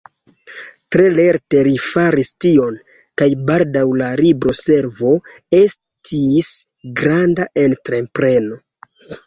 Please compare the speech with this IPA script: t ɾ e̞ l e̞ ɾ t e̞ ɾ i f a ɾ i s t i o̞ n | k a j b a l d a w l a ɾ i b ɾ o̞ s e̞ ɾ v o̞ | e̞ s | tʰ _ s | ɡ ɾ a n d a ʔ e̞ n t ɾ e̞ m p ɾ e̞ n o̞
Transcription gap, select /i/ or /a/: i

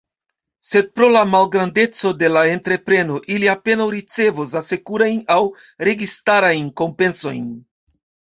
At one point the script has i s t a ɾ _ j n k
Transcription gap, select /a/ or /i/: a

